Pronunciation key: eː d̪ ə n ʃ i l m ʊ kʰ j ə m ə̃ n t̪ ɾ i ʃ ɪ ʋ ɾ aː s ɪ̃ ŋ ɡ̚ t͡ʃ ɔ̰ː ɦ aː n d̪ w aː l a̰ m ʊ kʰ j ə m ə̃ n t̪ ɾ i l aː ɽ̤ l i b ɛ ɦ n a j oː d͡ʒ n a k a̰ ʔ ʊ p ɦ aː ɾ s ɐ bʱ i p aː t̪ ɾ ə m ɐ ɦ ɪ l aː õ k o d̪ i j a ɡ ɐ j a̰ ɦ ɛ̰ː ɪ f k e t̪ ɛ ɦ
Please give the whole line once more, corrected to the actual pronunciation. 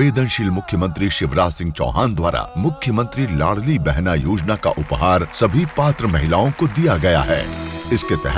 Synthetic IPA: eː d̪ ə n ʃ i l m ʊ kʰ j ə m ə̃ n t̪ ɾ i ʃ ɪ ʋ ɾ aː s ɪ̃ ŋ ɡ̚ t͡ʃ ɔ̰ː ɦ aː n d̪ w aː ɾ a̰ m ʊ kʰ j ə m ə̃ n t̪ ɾ i l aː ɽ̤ l i b ɛ ɦ n a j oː d͡ʒ n a k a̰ ʔ ʊ p ɦ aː ɾ s ɐ bʱ i p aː t̪ ɾ ə m ɐ ɦ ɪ l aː õ k o d̪ i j a ɡ ɐ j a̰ ɦ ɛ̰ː ɪ s k e t̪ ɛ ɦ

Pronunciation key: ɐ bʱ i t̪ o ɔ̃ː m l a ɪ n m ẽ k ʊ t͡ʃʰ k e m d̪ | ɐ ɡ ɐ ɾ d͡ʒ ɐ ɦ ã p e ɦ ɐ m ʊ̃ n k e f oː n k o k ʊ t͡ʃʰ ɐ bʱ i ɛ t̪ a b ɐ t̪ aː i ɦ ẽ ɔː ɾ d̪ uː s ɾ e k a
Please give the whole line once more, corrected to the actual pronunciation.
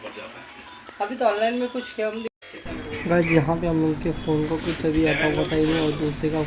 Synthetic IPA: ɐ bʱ i t̪ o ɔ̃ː n l a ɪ n m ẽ k ʊ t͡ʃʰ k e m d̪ | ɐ ɡ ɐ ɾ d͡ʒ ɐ ɦ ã p e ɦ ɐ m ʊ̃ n k e f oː n k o k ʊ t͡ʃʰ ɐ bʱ i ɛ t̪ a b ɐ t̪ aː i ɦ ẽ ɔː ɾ d̪ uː s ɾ e k a

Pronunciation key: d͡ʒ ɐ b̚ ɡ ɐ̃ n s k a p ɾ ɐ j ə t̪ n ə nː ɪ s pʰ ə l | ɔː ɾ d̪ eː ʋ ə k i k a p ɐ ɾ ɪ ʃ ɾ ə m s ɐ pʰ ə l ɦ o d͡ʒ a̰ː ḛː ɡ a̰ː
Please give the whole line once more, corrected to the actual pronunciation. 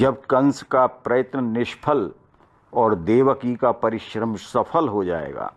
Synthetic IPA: d͡ʒ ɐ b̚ k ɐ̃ n s k a p ɾ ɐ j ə t̪ n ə n ɪ ʃ pʰ ə l | ɔː ɾ d̪ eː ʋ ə k i k a p ɐ ɾ ɪ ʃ ɾ ə m s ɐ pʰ ə l ɦ o d͡ʒ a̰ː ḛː ɡ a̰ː

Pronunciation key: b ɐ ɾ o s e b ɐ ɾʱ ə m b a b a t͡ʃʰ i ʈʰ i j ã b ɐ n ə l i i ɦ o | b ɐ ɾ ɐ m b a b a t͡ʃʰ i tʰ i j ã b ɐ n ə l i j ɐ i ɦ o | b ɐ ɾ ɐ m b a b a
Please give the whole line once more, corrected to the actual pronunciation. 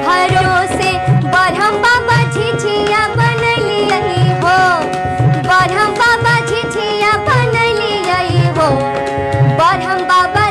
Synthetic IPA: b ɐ ɾ o s e b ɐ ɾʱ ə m b a b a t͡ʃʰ i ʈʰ i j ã b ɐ n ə l i i ɦ o | b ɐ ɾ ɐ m b a b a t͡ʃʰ i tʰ i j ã b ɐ n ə l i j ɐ i ɦ o | b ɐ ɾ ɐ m b a b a

